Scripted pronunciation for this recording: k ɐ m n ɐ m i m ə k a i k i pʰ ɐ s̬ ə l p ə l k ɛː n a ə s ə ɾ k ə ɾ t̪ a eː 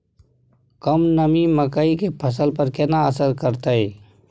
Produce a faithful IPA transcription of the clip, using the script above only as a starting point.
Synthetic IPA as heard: k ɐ m n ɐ m i m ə k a i k e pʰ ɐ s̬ ə l p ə ɾ k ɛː n a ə s ə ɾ k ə ɾ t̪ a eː